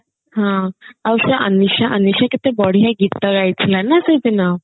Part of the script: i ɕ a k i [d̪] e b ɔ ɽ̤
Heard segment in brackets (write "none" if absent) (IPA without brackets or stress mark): t̪